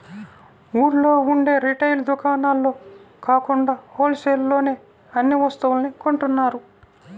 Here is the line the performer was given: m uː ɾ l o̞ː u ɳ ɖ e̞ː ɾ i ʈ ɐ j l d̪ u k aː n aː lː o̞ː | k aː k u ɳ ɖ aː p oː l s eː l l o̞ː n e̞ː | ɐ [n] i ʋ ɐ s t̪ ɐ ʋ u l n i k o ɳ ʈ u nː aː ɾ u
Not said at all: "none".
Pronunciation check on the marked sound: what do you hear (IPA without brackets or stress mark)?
nː